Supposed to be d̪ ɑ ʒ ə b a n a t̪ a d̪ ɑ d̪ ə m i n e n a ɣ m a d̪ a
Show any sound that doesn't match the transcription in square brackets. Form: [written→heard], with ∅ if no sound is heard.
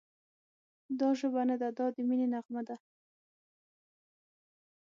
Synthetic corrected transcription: d̪ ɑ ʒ ə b a n a [t̪→d̪] a d̪ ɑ d̪ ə m i n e n a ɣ m a d̪ a